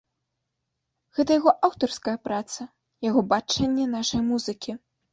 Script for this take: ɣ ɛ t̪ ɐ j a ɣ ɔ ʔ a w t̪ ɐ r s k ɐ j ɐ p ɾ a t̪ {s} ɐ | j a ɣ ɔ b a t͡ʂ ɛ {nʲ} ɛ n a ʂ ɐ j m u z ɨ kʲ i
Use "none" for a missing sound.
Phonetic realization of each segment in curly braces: s, nʲː

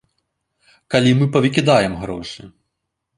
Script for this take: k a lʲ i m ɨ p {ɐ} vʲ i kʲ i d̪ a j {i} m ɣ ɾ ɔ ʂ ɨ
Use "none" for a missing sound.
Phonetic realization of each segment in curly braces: ɐ, ɛ

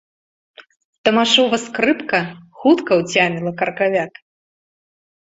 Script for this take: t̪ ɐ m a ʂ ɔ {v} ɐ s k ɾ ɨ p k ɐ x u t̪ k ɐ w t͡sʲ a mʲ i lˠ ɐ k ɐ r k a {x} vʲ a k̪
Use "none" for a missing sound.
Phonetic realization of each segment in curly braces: v, none

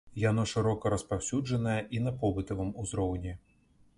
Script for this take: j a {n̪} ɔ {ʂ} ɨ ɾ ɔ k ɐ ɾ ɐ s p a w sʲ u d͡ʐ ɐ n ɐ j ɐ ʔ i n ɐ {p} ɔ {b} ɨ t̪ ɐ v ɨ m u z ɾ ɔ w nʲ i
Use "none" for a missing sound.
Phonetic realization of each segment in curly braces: n̪, ʂ, p, b

